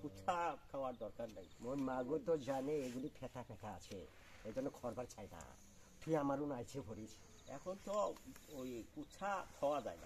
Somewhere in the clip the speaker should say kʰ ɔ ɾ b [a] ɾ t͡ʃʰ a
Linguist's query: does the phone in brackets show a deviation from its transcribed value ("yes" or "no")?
no